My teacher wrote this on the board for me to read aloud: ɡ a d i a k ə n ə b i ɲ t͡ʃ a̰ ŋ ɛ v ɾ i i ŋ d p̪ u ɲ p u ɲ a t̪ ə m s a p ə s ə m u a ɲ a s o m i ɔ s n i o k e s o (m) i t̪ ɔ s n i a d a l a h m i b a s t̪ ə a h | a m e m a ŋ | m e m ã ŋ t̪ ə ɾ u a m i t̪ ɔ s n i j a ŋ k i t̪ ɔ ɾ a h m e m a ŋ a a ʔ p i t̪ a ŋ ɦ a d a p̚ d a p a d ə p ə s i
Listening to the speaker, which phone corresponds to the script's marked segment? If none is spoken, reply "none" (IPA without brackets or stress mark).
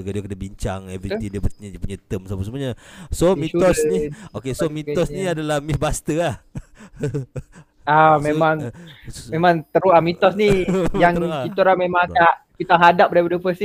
m